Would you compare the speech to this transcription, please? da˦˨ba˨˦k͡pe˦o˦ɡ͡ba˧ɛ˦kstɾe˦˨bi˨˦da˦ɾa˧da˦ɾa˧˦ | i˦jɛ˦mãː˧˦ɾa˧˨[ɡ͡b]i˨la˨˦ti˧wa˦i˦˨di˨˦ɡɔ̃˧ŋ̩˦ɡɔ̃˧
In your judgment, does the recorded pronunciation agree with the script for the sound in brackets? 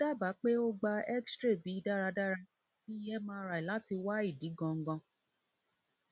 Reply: no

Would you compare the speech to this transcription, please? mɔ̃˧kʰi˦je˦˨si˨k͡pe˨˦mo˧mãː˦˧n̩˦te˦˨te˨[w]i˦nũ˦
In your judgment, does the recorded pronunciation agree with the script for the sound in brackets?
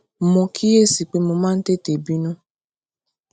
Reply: no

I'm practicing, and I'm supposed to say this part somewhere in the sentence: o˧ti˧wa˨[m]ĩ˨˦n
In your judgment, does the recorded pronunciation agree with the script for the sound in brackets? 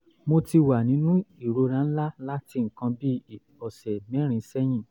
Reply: no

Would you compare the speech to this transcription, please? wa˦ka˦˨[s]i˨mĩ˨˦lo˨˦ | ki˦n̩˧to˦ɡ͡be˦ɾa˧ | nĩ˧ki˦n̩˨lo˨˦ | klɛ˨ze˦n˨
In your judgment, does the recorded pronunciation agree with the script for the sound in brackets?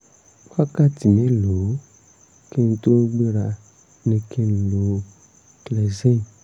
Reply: no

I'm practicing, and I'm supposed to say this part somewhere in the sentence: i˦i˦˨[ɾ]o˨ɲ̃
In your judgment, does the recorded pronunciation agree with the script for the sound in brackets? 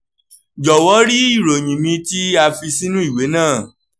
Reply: yes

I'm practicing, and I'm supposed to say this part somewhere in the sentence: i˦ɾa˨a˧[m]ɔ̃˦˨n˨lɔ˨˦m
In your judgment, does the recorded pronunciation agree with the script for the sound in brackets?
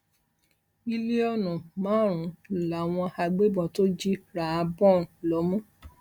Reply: no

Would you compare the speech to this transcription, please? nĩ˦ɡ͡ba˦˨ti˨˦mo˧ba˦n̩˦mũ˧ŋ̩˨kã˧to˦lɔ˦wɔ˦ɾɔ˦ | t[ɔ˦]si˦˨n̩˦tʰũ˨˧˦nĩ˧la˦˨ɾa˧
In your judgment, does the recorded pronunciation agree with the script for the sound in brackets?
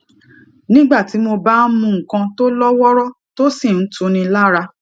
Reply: no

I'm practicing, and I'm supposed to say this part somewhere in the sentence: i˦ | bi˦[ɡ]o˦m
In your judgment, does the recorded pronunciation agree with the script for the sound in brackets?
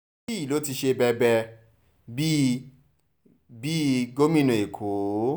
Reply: yes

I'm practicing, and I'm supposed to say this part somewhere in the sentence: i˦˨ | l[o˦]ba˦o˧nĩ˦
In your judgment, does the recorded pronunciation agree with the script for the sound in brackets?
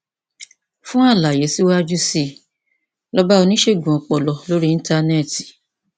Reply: no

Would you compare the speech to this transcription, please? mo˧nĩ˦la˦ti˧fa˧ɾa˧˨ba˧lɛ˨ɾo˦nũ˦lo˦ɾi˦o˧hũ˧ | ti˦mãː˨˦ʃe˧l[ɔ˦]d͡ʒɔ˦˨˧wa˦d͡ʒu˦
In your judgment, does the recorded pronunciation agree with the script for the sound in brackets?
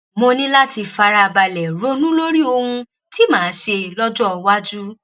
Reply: yes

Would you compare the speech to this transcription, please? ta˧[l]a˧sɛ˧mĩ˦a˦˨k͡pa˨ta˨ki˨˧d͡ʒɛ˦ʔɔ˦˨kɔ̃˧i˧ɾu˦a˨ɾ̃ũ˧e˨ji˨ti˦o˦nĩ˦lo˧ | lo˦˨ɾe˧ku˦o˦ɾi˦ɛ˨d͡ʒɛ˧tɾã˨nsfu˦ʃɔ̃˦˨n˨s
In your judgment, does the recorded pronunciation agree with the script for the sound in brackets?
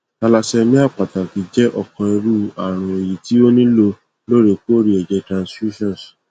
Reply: yes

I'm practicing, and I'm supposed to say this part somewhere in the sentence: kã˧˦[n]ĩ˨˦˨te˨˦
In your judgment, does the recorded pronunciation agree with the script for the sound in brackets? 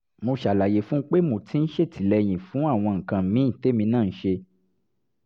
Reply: no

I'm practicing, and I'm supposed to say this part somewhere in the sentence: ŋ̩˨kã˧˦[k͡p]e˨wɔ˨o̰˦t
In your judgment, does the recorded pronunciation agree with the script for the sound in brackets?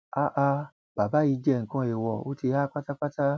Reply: no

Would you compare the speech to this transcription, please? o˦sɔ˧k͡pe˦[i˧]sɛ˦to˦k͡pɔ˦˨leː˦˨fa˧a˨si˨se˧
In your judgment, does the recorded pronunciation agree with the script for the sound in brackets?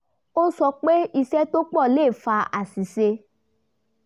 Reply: yes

